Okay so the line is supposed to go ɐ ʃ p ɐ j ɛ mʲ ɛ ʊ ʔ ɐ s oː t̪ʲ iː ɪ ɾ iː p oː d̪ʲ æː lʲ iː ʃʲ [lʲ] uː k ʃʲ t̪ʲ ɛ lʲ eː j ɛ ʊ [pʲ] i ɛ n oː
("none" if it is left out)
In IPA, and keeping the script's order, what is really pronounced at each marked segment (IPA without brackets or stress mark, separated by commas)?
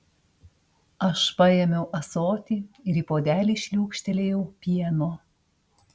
lʲ, pʲ